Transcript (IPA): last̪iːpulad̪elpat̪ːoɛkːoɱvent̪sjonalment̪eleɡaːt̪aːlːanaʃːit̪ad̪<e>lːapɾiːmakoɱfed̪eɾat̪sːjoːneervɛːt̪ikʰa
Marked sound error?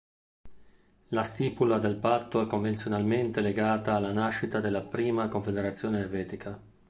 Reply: no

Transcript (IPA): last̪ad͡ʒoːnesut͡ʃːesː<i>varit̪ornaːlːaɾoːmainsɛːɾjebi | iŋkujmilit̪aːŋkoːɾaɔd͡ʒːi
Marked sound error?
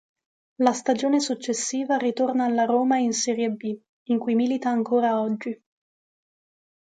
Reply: yes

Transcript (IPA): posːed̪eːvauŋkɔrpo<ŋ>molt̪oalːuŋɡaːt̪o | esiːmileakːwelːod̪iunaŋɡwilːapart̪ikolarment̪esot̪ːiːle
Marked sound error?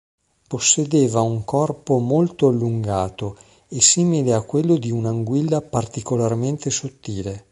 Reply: yes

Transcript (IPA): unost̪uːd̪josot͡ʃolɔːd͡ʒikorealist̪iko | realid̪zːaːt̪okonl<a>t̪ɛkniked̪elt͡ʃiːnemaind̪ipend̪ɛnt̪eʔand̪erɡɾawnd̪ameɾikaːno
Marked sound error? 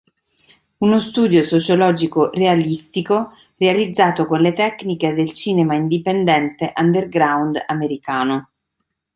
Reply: yes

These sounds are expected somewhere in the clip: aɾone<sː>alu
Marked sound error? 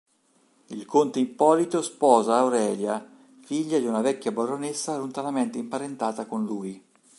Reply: no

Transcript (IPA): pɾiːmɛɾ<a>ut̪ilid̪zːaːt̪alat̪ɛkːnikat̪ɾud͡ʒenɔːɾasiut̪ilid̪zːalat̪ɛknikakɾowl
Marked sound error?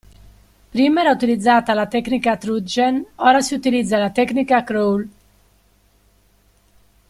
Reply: no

